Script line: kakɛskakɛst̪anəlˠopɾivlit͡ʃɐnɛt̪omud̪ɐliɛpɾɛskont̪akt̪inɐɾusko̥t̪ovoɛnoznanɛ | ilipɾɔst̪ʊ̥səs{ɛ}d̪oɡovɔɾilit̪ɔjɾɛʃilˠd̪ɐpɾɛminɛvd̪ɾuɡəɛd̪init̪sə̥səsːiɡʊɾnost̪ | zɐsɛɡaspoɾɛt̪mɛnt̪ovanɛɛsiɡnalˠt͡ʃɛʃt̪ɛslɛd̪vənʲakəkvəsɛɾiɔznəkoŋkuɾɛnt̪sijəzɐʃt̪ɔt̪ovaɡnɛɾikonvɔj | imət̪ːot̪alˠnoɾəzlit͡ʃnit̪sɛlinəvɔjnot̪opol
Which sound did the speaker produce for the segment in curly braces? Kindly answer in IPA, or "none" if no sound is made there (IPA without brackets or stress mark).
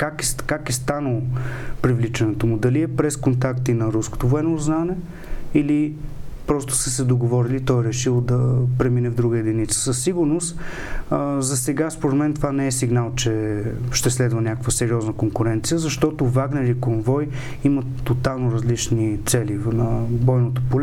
ɛ